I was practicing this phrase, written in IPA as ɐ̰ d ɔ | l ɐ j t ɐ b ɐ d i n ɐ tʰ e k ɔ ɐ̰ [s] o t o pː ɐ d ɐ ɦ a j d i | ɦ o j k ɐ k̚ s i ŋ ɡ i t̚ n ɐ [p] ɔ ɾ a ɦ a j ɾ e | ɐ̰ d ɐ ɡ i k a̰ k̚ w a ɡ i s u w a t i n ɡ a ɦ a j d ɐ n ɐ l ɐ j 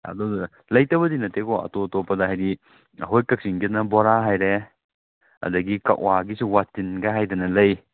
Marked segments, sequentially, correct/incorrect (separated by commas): incorrect, incorrect